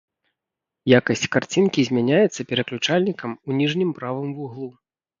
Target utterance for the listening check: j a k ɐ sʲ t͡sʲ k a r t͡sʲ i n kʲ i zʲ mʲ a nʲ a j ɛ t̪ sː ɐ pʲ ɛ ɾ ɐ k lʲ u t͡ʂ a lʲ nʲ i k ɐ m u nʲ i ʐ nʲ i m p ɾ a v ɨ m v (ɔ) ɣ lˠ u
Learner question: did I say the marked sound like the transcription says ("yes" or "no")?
no